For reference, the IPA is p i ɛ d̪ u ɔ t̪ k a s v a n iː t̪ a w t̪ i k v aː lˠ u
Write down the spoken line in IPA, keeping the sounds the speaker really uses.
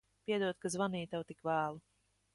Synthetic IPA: p i ɛ d̪ u ɔ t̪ k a z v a n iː t̪ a w t̪ i k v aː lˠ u